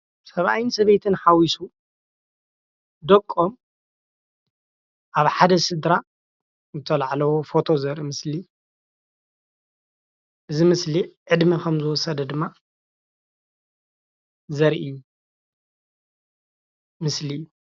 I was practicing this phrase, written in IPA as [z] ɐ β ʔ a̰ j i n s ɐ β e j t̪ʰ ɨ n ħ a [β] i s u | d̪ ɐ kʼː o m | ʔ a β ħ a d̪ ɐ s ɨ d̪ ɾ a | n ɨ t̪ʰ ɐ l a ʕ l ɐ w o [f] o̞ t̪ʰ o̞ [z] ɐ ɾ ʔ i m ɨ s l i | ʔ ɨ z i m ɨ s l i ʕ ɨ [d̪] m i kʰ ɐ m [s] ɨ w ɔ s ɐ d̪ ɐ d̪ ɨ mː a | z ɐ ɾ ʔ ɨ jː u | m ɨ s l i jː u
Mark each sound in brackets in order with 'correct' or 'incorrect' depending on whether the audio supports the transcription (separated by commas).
incorrect, incorrect, correct, correct, correct, incorrect